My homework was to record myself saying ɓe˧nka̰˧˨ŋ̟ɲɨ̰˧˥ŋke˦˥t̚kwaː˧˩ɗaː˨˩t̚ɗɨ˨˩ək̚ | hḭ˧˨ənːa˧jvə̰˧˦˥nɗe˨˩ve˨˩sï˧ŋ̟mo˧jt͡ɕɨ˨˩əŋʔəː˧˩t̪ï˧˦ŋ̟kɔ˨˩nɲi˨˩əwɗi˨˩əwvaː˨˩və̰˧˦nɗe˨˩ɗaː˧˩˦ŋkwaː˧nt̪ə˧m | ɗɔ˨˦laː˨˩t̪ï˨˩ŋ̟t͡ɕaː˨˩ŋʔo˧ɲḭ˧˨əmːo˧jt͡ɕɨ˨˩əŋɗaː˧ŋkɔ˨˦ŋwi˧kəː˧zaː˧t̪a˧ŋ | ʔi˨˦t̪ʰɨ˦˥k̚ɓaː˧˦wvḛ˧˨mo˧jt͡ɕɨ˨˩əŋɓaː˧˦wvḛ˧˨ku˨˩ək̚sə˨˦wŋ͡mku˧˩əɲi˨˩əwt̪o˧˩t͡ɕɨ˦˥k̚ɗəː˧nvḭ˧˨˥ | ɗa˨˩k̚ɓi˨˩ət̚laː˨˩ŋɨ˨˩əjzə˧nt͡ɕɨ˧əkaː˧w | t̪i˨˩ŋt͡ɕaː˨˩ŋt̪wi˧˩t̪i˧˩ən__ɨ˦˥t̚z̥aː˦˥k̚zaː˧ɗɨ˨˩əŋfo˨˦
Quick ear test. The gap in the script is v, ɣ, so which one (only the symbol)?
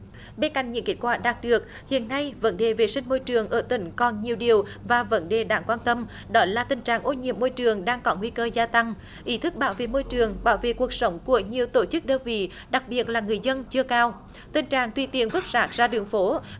v